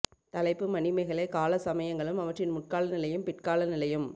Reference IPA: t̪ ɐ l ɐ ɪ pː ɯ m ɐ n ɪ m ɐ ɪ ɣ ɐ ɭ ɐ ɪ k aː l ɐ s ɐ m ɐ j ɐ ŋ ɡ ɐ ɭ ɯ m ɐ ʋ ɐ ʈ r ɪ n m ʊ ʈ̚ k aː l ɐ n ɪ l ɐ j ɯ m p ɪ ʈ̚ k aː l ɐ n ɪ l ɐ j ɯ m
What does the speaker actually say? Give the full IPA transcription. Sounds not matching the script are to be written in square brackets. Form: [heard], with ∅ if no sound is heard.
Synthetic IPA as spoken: t̪ ɐ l ɐ ɪ pː ɯ m ɐ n ɪ m ɐ ɪ ɣ ɐ ɭ ɐ ɪ k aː l ɐ s ɐ m ɐ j ɐ ŋ ɡ ɐ ɭ ɯ m ɐ ʋ ɐ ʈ r ɪ n m ʊ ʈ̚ k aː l ɐ n ɪ l ɐ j ɯ m p ɪ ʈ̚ k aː l ɐ n ɪ l ɐ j ɯ m

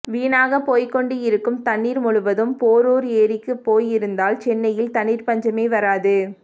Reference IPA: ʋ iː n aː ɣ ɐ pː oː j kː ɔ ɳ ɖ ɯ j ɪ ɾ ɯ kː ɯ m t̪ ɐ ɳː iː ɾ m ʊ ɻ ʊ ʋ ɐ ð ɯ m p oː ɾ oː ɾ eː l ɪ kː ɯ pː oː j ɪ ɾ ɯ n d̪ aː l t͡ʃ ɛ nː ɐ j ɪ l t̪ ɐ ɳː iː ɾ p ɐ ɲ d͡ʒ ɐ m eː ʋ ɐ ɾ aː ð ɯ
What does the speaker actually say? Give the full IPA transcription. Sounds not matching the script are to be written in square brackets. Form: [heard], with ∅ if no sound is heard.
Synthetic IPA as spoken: ʋ iː n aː ɣ ɐ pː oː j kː ɔ ɳ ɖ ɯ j ɪ ɾ ɯ kː ɯ m t̪ ɐ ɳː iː ɾ m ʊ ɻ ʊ ʋ ɐ ð ɯ m p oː ɾ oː ɾ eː [ɾ] ɪ kː ɯ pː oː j ɪ ɾ ɯ n d̪ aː l t͡ʃ ɛ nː ɐ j ɪ l t̪ ɐ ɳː iː ɾ p ɐ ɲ d͡ʒ ɐ m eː ʋ ɐ ɾ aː ð ɯ

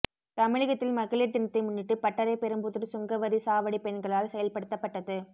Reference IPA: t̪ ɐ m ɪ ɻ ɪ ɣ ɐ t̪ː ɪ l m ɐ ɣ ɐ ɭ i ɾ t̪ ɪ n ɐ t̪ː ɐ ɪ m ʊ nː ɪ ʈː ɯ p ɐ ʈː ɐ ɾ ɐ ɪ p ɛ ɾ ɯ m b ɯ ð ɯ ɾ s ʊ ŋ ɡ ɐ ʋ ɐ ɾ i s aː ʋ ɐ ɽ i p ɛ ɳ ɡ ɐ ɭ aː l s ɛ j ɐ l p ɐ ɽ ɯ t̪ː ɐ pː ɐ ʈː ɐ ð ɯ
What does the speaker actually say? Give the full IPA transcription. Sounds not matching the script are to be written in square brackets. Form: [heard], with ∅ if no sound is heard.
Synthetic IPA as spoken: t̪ ɐ m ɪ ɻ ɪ ɣ ɐ t̪ː ɪ l m ɐ ɣ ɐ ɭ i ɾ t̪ ɪ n ɐ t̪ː ɐ ɪ m ʊ nː ɪ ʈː ɯ p ɐ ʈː ɐ ɾ ɐ ɪ p ɛ ɾ ɯ m b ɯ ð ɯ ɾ s ʊ ŋ ɡ ɐ ʋ ɐ ɾ i s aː ʋ ɐ ɽ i p ɛ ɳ ɡ ɐ ɭ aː l s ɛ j ɐ l p ɐ ɽ ɯ t̪ː ɐ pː ɐ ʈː ɐ ð ɯ

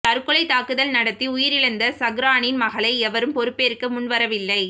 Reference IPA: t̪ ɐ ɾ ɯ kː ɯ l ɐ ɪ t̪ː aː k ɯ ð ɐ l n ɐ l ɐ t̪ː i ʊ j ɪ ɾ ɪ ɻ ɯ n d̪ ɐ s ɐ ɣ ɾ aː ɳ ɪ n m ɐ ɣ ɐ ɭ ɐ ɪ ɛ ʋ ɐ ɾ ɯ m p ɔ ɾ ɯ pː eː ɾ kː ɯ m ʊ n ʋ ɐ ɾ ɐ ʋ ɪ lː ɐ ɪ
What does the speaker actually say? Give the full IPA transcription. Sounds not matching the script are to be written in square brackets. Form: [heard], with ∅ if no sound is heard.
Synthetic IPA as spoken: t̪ ɐ ɾ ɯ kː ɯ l ɐ ɪ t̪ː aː k ɯ ð ɐ l n ɐ [ɽ] ɐ t̪ː i ʊ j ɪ ɾ ɪ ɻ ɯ n d̪ ɐ s ɐ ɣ ɾ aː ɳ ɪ n m ɐ ɣ ɐ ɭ ɐ ɪ ɛ ʋ ɐ ɾ ɯ m p ɔ ɾ ɯ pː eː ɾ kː ɯ m ʊ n ʋ ɐ ɾ ɐ ʋ ɪ lː ɐ ɪ

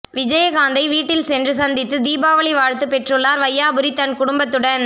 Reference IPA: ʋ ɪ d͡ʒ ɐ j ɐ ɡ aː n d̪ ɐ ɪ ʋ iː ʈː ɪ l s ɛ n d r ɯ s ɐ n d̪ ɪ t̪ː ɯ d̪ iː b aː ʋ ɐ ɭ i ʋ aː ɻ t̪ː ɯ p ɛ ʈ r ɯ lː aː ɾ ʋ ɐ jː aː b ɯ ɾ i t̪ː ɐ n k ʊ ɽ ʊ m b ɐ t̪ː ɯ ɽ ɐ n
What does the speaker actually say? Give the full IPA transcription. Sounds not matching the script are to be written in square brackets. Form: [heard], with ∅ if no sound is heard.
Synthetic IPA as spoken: ʋ ɪ d͡ʒ ɐ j ɐ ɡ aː n d̪ ɐ ɪ ʋ iː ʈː ɪ l s ɛ n d r ɯ s ɐ n d̪ ɪ t̪ː ɯ d̪ iː b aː ʋ ɐ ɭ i ʋ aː ɻ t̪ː ɯ p ɛ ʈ r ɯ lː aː ɾ ʋ ɐ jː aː b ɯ ɾ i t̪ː ɐ n k ʊ ɽ ʊ m b ɐ t̪ː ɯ ɽ ɐ n

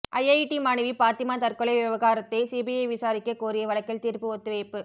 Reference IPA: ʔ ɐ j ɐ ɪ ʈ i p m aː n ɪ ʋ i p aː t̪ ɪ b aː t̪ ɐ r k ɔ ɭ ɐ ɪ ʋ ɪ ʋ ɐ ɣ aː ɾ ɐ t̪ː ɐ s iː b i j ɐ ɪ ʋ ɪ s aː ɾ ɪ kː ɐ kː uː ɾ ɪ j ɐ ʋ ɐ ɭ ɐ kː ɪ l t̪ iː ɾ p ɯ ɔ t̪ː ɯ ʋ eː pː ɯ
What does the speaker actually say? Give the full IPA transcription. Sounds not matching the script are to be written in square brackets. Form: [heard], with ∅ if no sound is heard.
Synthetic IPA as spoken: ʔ ɐ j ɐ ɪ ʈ i [∅] m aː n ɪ ʋ i p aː t̪ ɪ [m] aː t̪ ɐ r k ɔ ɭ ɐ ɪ ʋ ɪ ʋ ɐ ɣ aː ɾ ɐ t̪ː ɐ s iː b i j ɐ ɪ ʋ ɪ s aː ɾ ɪ kː ɐ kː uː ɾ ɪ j ɐ ʋ ɐ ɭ ɐ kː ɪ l t̪ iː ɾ p ɯ ɔ t̪ː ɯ ʋ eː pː ɯ

